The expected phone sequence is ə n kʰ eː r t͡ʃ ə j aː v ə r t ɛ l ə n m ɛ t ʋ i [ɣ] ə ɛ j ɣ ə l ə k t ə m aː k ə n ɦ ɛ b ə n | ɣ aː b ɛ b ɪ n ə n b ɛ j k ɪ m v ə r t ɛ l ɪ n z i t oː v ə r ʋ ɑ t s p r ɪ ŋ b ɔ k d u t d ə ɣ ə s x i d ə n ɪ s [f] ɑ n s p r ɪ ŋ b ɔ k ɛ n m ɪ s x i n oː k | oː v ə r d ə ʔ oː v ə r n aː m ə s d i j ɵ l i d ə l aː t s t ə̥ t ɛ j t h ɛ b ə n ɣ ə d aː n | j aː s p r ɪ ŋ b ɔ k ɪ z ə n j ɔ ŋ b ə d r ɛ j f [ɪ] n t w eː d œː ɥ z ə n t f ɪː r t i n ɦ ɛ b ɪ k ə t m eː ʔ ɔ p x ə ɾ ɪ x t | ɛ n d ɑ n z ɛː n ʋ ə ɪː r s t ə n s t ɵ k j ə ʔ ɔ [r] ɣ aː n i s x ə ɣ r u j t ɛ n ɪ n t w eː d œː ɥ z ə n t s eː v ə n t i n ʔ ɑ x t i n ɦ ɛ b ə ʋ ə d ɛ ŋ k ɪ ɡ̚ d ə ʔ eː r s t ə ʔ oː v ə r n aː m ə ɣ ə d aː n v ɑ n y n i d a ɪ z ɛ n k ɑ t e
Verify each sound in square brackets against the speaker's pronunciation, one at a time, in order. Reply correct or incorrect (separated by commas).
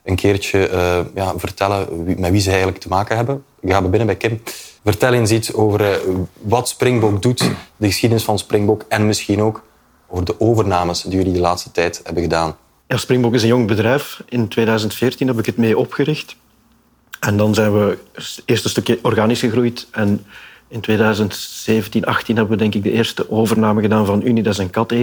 incorrect, correct, correct, correct